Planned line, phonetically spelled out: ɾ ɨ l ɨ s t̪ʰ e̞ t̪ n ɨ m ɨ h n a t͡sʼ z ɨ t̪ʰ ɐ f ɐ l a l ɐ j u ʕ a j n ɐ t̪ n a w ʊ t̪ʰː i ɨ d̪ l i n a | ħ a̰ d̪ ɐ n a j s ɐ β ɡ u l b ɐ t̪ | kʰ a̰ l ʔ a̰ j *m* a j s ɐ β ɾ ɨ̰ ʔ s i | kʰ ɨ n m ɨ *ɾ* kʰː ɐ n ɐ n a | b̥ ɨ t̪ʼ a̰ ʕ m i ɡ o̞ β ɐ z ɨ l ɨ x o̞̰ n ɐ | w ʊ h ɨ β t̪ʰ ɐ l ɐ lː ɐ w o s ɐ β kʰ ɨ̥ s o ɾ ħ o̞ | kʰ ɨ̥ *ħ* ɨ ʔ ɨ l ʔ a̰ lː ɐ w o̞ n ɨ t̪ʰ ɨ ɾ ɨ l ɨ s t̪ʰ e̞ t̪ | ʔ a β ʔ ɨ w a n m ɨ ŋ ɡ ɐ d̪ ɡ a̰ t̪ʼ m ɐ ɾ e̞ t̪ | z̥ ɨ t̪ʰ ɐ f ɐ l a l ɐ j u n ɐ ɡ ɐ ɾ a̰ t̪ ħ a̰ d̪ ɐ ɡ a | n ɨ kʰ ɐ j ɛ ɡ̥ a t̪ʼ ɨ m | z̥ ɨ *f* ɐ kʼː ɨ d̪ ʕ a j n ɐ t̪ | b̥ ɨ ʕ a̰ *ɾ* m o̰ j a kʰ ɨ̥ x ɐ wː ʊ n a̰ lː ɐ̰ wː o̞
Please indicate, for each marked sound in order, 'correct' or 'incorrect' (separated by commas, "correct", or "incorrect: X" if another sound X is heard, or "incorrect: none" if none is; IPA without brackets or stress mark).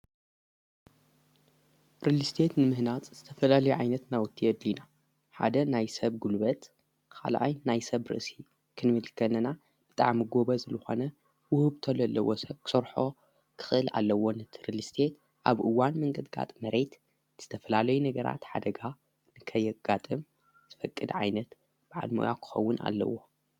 incorrect: n, incorrect: l, incorrect: x, correct, incorrect: l